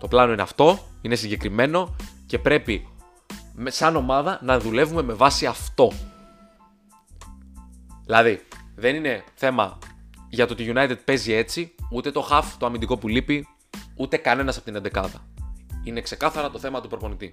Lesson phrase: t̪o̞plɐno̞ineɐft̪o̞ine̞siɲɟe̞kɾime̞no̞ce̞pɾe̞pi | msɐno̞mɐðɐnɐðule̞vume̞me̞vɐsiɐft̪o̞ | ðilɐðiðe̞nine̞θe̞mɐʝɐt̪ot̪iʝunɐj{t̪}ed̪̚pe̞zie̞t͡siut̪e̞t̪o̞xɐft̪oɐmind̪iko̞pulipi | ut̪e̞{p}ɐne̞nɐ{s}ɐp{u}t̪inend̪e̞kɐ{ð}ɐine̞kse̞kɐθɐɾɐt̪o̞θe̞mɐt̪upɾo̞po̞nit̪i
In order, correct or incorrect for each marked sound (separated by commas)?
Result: correct, incorrect, correct, incorrect, correct